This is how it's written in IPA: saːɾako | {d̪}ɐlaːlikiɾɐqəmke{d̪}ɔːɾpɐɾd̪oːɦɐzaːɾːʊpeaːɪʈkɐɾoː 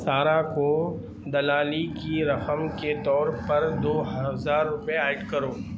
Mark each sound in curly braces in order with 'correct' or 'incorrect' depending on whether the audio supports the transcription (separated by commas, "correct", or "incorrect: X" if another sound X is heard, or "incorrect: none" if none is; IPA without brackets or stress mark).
correct, incorrect: t̪